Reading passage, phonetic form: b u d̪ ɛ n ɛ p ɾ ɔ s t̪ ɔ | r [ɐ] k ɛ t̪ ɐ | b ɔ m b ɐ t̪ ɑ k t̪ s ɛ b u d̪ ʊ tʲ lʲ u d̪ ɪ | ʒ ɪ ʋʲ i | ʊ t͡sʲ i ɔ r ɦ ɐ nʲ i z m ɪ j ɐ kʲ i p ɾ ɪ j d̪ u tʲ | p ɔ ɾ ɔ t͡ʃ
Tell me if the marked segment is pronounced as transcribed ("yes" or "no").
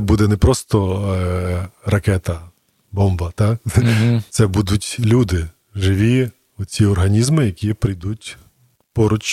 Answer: yes